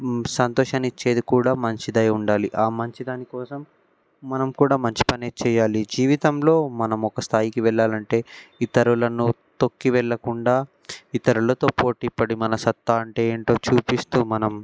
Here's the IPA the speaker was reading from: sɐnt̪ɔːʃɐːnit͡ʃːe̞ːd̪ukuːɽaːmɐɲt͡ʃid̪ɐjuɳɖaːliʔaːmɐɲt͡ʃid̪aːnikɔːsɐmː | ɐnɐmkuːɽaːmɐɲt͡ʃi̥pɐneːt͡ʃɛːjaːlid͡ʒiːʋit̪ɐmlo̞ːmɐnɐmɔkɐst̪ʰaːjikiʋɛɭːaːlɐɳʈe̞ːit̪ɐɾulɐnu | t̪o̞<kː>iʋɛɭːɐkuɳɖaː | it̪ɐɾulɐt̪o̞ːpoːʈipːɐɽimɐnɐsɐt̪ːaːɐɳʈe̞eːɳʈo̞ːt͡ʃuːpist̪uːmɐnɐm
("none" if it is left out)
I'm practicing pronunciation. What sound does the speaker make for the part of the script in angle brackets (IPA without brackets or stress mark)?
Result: kː